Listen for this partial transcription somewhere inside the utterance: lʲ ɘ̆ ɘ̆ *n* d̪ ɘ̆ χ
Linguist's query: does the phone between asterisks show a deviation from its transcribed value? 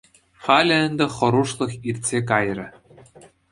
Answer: no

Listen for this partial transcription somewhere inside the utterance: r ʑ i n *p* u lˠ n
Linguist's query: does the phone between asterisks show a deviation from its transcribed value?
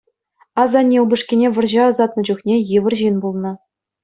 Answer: yes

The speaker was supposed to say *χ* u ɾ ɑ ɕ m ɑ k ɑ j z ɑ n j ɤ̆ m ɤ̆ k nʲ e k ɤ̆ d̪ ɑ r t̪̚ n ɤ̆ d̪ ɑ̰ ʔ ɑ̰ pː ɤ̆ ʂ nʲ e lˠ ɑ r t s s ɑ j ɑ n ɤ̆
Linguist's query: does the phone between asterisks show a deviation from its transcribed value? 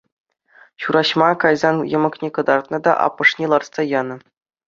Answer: yes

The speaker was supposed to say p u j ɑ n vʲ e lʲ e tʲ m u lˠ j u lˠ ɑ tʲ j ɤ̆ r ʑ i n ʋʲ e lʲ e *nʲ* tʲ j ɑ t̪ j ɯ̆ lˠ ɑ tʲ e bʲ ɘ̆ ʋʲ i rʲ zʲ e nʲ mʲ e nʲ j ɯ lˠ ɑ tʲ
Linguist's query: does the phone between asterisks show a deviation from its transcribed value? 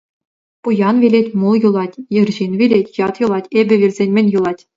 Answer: yes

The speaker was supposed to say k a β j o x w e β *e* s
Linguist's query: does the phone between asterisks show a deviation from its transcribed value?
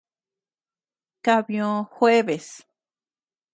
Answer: no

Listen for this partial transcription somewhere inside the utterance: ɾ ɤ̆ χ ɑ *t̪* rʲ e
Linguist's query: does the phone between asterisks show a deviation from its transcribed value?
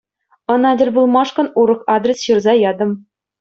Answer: yes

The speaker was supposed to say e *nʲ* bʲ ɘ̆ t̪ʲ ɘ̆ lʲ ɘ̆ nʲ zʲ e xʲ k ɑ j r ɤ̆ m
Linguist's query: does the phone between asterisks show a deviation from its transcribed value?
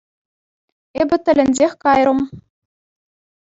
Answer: yes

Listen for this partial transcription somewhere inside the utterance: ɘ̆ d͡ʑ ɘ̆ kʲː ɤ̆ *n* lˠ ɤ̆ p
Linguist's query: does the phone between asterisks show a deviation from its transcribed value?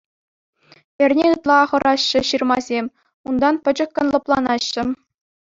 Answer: no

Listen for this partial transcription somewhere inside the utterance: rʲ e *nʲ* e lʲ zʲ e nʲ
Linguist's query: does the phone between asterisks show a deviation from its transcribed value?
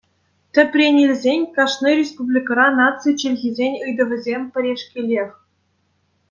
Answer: no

